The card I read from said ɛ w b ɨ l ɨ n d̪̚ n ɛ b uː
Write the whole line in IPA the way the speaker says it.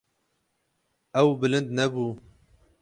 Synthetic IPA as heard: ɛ w b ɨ l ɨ n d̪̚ n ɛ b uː